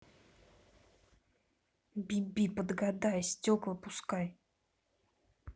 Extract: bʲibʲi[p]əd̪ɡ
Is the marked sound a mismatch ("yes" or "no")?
no